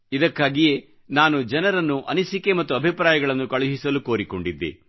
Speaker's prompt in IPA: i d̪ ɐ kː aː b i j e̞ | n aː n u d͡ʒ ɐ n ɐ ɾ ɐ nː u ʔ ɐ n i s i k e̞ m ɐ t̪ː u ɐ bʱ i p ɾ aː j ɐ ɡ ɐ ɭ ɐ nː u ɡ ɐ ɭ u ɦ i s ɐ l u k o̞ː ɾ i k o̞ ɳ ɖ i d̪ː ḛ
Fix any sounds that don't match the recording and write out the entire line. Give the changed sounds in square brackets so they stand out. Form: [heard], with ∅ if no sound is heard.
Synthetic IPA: i d̪ ɐ kː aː [ɡ] i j e̞ | n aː n u d͡ʒ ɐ n ɐ ɾ ɐ nː u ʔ ɐ n i s i k e̞ m ɐ t̪ː u ɐ bʱ i p ɾ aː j ɐ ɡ ɐ ɭ ɐ nː u [k] ɐ ɭ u ɦ i s ɐ l u k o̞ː ɾ i k o̞ ɳ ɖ i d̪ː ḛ